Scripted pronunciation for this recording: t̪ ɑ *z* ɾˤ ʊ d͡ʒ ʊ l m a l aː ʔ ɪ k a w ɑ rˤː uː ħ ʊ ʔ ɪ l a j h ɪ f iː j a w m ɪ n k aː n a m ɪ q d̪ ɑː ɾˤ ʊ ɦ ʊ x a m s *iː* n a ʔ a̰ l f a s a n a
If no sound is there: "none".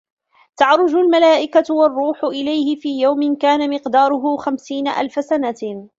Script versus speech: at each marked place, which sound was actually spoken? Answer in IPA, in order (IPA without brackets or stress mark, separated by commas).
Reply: ʕ, iː